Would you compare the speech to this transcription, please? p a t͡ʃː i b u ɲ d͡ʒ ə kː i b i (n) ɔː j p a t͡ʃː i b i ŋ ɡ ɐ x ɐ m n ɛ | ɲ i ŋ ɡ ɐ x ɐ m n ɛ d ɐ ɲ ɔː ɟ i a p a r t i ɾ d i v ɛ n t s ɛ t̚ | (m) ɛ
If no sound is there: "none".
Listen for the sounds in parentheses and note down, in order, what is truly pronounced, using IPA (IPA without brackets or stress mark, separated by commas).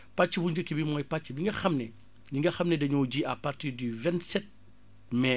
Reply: m, m